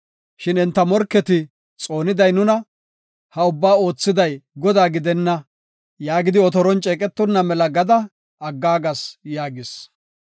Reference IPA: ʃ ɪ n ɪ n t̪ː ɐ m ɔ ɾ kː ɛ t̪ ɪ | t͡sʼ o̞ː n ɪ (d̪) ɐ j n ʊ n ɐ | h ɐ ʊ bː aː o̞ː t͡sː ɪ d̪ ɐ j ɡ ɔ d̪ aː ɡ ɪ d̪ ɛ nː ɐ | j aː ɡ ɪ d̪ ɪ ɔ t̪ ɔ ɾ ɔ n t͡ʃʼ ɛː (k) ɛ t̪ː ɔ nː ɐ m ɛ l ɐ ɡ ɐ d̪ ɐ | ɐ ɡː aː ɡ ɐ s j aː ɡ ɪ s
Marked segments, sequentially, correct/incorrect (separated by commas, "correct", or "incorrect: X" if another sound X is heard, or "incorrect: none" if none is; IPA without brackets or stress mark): correct, incorrect: kʼ